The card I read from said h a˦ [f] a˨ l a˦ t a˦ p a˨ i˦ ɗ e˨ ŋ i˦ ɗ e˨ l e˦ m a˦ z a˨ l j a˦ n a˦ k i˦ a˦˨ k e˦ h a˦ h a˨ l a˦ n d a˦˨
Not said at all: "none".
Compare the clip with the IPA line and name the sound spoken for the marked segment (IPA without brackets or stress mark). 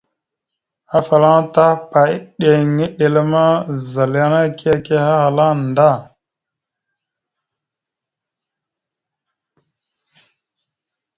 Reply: f